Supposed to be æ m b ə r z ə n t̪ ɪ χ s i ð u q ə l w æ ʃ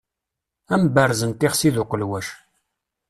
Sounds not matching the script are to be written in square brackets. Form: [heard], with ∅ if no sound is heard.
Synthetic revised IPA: æ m b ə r z ə n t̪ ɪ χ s i ð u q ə l w æ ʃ